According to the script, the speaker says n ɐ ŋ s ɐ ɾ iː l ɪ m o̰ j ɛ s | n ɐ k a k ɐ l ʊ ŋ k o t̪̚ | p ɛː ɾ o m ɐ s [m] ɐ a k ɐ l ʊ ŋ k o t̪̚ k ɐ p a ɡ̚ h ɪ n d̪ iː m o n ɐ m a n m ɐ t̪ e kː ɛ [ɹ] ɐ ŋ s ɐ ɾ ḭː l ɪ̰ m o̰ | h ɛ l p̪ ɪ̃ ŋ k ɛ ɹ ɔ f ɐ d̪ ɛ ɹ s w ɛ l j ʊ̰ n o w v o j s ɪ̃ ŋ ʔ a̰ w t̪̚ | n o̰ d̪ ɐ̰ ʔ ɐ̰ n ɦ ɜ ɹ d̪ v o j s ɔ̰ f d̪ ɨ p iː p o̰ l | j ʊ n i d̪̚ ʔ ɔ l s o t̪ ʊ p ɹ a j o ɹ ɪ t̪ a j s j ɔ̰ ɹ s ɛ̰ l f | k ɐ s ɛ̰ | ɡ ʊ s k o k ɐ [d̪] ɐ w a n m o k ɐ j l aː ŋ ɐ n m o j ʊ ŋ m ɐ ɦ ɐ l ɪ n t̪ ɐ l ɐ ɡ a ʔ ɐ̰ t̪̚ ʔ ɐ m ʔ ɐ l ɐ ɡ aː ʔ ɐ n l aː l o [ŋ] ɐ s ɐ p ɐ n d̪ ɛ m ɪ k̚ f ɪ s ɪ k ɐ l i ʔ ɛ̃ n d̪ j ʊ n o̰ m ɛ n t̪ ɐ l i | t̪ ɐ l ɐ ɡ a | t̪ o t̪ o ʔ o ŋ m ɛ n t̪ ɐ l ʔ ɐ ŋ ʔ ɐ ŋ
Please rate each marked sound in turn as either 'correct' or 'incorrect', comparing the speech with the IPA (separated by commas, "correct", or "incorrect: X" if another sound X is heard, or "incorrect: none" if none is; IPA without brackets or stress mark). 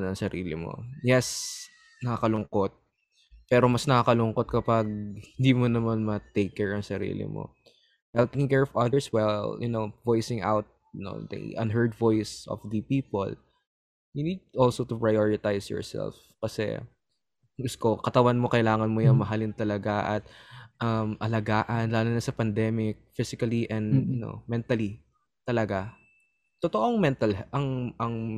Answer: incorrect: n, correct, incorrect: t̪, incorrect: n